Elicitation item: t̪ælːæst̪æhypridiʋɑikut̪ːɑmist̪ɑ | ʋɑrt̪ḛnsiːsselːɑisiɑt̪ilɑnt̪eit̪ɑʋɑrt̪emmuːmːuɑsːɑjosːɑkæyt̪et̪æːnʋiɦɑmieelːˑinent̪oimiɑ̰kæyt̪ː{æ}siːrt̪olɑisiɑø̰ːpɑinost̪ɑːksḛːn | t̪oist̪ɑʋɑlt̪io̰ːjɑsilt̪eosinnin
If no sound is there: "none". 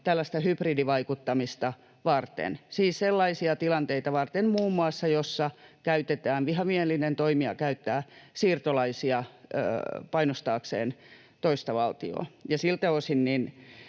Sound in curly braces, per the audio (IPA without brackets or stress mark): æː